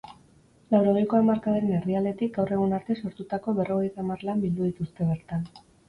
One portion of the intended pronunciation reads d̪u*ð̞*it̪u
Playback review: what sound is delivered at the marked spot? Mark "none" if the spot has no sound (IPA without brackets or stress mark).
ð̞